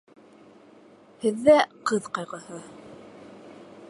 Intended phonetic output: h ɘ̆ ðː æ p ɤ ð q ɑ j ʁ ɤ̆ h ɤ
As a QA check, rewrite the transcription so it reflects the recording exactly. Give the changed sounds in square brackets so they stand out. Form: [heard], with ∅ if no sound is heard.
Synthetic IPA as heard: h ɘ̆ ðː æ [q] ɤ ð q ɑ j ʁ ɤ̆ h ɤ